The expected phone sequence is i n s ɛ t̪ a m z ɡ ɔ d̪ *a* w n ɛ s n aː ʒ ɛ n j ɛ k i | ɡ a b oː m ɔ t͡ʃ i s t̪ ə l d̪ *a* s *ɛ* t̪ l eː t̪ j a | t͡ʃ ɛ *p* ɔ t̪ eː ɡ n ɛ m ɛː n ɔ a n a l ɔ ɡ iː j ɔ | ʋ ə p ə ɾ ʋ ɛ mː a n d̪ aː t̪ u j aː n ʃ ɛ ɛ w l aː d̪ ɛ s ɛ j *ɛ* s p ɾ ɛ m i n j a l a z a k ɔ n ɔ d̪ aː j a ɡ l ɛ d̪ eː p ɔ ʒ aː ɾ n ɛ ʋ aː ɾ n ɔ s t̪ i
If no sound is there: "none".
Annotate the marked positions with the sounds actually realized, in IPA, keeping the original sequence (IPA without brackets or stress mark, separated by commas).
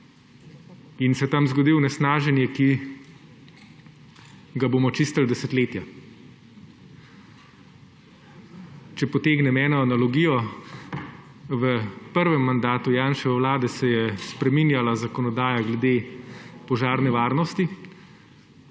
i, ɛ, ɛ, p, ɛ